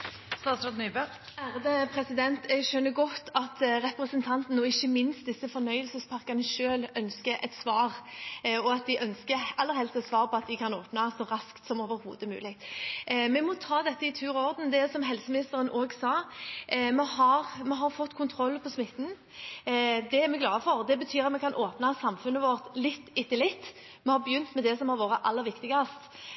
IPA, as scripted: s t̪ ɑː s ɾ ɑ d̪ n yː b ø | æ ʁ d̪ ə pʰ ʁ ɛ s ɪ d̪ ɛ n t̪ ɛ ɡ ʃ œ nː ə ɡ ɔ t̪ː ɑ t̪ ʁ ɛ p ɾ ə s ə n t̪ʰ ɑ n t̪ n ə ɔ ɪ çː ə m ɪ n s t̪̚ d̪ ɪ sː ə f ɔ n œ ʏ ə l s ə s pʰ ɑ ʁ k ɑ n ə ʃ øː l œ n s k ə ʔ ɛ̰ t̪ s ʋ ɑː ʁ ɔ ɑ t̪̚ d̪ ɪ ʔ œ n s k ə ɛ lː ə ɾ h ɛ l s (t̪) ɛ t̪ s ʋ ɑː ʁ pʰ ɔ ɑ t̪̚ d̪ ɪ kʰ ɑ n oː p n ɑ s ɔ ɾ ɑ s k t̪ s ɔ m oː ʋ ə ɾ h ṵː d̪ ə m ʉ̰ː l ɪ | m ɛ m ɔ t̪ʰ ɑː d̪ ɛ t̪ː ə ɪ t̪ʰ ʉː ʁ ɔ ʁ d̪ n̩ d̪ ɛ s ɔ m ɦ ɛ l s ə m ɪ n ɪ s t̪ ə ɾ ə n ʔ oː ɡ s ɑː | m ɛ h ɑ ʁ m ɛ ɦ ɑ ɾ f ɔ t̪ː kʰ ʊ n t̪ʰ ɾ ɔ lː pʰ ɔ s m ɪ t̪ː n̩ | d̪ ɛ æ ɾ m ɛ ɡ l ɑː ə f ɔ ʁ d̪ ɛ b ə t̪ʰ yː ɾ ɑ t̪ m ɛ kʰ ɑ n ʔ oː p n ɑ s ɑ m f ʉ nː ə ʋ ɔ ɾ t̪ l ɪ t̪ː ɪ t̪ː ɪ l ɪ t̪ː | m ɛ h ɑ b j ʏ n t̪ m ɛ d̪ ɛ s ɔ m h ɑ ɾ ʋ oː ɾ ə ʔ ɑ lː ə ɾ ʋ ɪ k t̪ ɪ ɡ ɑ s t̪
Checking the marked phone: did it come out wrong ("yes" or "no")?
no